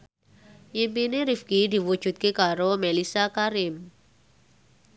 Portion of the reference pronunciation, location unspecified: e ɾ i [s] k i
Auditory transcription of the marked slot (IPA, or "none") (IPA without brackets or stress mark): f